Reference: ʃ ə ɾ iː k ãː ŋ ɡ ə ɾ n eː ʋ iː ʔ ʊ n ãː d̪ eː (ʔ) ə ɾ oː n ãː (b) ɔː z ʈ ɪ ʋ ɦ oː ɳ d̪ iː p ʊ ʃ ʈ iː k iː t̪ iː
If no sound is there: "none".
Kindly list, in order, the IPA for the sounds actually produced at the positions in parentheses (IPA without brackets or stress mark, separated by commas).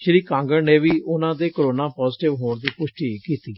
k, p